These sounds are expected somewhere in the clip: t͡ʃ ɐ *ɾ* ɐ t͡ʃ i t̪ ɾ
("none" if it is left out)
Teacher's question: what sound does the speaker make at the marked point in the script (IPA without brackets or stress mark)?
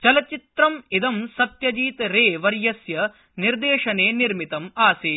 l